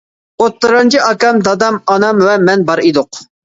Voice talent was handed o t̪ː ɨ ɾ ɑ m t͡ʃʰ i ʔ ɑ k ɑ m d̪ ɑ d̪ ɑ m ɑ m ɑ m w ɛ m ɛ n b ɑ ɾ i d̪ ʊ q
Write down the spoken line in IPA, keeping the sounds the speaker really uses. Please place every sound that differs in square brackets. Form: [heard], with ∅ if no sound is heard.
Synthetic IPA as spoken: o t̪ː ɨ ɾ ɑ [n] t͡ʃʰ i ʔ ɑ k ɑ m d̪ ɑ d̪ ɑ m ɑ [n] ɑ m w ɛ m ɛ n b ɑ ɾ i d̪ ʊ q